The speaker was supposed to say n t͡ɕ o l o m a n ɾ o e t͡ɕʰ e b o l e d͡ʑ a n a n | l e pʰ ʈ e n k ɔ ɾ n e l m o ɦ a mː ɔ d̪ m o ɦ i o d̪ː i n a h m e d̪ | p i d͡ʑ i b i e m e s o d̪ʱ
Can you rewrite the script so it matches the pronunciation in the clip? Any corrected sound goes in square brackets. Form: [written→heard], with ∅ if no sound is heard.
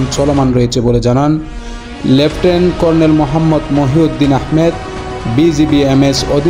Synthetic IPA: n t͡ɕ [o→ɔ] l o m a n ɾ o e t͡ɕʰ e b o l e d͡ʑ a n a n | l e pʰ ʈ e n k ɔ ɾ n e l m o ɦ a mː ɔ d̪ m o ɦ i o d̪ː i n a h m e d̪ | [p→b] i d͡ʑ i b i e m e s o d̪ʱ

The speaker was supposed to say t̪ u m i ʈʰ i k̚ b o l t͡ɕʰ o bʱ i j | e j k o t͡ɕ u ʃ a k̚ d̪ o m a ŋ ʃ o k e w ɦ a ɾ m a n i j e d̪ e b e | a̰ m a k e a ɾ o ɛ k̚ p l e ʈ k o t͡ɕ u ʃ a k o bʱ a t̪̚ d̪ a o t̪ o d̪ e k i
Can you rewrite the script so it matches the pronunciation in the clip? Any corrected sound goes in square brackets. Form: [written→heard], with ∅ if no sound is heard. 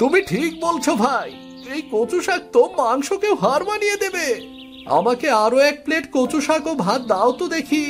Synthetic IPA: t̪ u m i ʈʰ i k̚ b o l t͡ɕʰ o bʱ [i→a] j | e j k o t͡ɕ u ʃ a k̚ [d̪→t̪] o m a ŋ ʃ o k e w ɦ a ɾ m a n i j e d̪ e b e | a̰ m a k e a ɾ o ɛ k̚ p l e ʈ k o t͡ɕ u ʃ a k o bʱ a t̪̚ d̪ a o t̪ o d̪ e [k→kʰ] i

